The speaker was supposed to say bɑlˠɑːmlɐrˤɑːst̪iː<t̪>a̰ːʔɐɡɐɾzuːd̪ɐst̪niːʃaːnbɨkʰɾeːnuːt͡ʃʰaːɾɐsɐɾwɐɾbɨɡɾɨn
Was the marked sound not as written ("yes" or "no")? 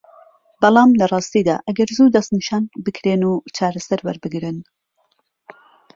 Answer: yes